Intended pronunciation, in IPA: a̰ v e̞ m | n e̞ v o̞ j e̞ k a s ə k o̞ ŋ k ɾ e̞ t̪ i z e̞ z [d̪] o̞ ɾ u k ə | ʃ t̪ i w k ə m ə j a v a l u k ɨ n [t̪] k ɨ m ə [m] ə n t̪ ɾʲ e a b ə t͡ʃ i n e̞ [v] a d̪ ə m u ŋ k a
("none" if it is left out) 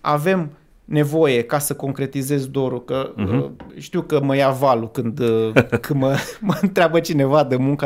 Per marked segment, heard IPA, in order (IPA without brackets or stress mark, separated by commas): d̪, d̪, m, v